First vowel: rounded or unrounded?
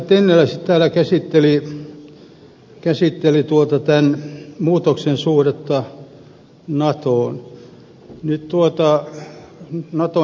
unrounded